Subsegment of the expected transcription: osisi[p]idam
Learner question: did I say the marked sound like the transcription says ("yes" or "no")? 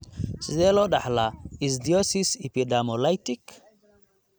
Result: yes